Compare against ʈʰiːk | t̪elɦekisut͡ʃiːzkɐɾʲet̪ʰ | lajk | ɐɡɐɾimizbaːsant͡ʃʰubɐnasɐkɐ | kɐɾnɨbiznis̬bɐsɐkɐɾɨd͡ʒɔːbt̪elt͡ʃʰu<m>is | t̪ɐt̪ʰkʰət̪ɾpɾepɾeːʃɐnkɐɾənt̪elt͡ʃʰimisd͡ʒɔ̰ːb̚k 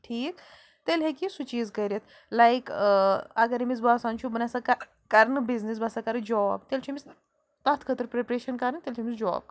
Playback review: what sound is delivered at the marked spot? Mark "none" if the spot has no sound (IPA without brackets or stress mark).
m